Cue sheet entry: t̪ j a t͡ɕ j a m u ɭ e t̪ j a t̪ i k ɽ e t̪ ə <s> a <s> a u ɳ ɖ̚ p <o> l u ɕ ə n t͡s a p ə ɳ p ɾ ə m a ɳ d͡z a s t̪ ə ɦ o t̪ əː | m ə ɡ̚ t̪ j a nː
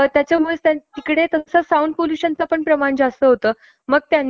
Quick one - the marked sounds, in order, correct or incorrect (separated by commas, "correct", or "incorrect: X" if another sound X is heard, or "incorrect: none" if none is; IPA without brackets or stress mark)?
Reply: correct, correct, correct